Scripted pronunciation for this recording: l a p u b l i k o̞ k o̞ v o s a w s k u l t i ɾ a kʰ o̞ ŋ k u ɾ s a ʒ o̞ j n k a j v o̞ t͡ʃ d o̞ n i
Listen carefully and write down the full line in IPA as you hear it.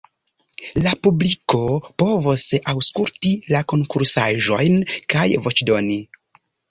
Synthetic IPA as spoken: l a p u b l i k o̞ p o̞ v o s a w s k u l t i l a k o̞ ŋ k u ɾ s a ʒ o̞ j n k a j v o̞ t͡ʃ d o̞ n i

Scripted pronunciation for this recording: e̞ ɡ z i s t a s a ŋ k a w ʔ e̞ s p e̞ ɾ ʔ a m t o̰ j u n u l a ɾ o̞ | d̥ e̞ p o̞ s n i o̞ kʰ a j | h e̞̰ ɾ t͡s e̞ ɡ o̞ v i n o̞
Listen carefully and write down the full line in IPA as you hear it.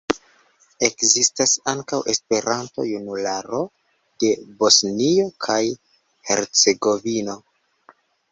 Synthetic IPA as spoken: e̞ k z i s t a s a ŋ k a w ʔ e̞ s p e̞ ɾ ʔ a n t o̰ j u n u l a ɾ o̞ | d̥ e̞ b o̞ s n i o̞ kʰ a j | h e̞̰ ɾ t͡s e̞ ɡ o̞ v i n o̞

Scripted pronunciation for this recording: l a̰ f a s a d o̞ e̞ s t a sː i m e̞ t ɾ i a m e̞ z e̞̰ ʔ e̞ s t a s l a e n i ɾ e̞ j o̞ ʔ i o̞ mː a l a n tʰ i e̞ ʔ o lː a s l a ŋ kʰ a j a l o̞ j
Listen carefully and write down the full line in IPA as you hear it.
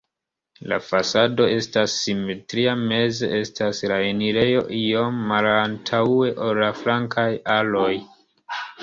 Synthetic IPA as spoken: l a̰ f a s a d o̞ e̞ s t a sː i m e̞ t ɾ i a m e̞ z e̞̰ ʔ e̞ s t a s l a e n i ɾ e̞ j o̞ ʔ i o̞ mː a l a n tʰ a e̞ ʔ o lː a f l a ŋ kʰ a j a l o̞ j

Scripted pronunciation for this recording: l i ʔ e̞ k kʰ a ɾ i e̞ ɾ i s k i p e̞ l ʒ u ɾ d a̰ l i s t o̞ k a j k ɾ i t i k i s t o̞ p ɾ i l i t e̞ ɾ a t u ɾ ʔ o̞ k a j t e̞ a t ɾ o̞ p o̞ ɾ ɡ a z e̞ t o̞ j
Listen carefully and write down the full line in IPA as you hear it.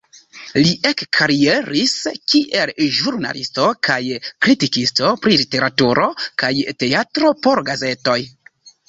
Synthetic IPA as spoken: l i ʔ e̞ k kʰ a ɾ i e̞ ɾ i s k i ʔ e̞ l ʒ u ɾ n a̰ l i s t o̞ k a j k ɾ i t i k i s t o̞ p ɾ i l i t e̞ ɾ a t u ɾ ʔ o̞ k a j t e̞ a t ɾ o̞ p o̞ ɾ ɡ a z e̞ t o̞ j

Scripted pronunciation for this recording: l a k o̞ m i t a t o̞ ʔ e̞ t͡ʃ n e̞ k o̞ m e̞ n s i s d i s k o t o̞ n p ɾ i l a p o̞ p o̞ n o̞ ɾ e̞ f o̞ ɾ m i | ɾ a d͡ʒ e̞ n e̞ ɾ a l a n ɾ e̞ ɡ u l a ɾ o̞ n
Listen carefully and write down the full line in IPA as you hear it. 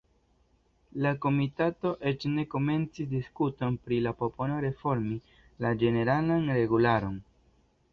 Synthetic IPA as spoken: l a k o̞ m i t a t o̞ ʔ e̞ t͡ʃ n e̞ k o̞ m e̞ n t͡s i s d i s k u t o̞ n p ɾ i l a p o̞ p o̞ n o̞ ɾ e̞ f o̞ ɾ m i | l a d͡ʒ e̞ n e̞ ɾ a l a n ɾ e̞ ɡ u l a ɾ o̞ n

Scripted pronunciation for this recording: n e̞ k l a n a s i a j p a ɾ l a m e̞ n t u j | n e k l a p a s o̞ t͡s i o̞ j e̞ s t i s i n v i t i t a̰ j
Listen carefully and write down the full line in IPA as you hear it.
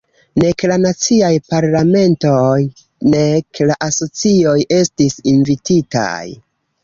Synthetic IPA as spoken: n e̞ k l a n a t͡s i a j p a ɾ l a m e̞ n t o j | n e k l a ʔ a s o̞ t͡s i o̞ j e̞ s t i s i n v i t i t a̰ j

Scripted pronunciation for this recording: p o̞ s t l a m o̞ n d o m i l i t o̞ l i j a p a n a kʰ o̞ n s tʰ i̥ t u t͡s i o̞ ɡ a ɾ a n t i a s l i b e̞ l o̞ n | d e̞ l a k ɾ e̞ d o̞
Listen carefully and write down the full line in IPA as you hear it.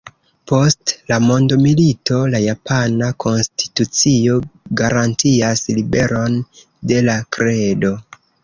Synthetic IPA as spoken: p o̞ s t l a m o̞ n d o m i l i t o̞ l a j a p a n a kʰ o̞ n s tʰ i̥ t u t͡s i o̞ ɡ a ɾ a n t i a s l i b e̞ ɾ o̞ n | d e̞ l a k ɾ e̞ d o̞

